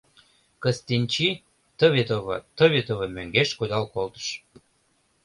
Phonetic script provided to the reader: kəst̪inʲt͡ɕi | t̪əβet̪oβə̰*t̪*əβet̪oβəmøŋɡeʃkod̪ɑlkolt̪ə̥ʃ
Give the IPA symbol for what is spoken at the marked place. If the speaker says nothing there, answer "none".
t̪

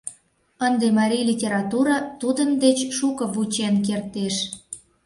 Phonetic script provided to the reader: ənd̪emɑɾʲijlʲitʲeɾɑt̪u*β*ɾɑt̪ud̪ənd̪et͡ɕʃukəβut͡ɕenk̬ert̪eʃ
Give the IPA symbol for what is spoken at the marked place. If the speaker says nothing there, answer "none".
none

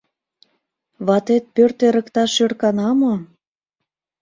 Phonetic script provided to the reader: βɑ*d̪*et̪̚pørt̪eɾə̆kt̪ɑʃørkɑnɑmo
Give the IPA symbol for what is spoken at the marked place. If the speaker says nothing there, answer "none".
t̪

